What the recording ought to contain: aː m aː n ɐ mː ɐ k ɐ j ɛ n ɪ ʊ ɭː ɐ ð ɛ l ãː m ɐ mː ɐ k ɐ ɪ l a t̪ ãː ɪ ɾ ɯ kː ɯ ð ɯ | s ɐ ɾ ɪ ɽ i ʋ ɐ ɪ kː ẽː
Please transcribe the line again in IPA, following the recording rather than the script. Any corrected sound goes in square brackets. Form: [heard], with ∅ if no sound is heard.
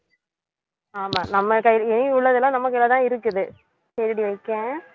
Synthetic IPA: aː m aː n ɐ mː ɐ k ɐ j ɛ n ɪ ʊ ɭː ɐ ð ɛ l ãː [n] ɐ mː ɐ k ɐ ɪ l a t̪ ãː ɪ ɾ ɯ kː ɯ ð ɯ | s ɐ ɾ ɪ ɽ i ʋ ɐ ɪ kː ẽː

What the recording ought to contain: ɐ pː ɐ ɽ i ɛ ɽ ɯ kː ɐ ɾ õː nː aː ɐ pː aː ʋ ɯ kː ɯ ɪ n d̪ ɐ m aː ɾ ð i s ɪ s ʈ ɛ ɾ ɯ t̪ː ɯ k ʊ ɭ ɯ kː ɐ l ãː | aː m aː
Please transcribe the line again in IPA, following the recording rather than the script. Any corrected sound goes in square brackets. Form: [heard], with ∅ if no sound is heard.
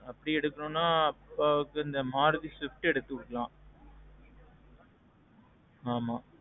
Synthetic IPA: ɐ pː ɐ ɽ i ɛ ɽ ɯ kː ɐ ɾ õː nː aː ɐ pː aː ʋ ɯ kː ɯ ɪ n d̪ ɐ m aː ɾ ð i s ɪ [f] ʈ ɛ [ɽ] ɯ t̪ː ɯ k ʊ [ɽ] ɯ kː ɐ l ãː | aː m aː

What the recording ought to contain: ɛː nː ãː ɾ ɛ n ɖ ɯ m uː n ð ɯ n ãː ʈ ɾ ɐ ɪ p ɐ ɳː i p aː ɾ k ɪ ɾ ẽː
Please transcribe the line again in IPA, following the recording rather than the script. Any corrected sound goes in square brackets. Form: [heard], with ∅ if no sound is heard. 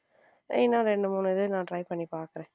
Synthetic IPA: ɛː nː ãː ɾ ɛ [ɳ] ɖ ɯ m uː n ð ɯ n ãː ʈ ɾ ɐ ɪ p ɐ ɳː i p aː ɾ k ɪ ɾ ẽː

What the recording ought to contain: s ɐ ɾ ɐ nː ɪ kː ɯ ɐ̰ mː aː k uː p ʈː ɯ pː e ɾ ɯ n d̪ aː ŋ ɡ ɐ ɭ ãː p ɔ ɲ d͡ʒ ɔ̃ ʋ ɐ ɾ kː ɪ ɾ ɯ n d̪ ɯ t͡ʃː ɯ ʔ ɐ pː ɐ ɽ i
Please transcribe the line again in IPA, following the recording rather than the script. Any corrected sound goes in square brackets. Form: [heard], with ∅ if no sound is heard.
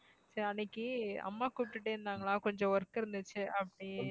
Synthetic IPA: s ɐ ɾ ɐ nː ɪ kː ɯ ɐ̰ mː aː k uː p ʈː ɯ [ʈː] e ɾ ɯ n d̪ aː ŋ ɡ ɐ ɭ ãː [k] ɔ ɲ d͡ʒ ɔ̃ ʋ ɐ ɾ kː ɪ ɾ ɯ n d̪ ɯ t͡ʃː ɯ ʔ ɐ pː ɐ ɽ i

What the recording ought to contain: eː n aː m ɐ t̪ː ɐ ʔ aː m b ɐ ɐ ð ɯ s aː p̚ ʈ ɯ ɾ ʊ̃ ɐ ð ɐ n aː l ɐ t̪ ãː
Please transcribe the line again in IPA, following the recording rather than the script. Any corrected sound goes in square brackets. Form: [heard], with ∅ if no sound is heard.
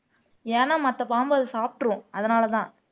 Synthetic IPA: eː n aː m ɐ t̪ː ɐ [p] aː m b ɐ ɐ ð ɯ s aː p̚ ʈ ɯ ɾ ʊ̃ ɐ ð ɐ n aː l ɐ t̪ ãː

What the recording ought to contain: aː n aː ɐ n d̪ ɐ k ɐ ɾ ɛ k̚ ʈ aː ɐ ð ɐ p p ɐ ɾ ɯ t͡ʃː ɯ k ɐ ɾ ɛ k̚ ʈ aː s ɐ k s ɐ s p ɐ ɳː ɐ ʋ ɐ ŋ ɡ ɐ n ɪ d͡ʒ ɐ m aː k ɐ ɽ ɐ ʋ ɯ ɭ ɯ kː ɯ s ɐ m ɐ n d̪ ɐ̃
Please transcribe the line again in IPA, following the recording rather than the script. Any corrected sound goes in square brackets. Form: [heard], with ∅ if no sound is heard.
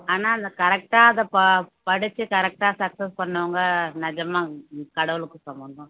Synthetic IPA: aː n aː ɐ n d̪ ɐ k ɐ ɾ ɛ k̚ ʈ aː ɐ ð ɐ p p ɐ [ɽ] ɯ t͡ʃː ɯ k ɐ ɾ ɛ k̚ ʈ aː s ɐ k s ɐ s p ɐ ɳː ɐ ʋ ɐ ŋ ɡ ɐ n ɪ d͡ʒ ɐ m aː k ɐ ɽ ɐ ʋ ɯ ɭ ɯ kː ɯ s ɐ m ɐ n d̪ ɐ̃

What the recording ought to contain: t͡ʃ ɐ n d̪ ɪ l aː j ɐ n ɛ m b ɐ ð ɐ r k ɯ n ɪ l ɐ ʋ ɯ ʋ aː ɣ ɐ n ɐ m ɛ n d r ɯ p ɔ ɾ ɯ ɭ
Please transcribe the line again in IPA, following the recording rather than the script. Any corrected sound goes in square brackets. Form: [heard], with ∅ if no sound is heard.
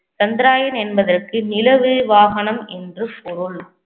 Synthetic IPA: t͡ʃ ɐ n d̪ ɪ [ɾ] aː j ɐ n ɛ [n] b ɐ ð ɐ r k ɯ n ɪ l ɐ ʋ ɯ ʋ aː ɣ ɐ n ɐ m ɛ n d r ɯ p ɔ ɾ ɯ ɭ

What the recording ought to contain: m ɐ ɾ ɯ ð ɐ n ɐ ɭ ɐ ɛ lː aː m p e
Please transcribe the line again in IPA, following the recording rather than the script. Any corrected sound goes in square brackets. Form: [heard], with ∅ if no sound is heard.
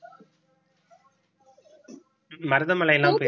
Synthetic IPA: m ɐ ɾ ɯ ð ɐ [m] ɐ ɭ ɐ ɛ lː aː m p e

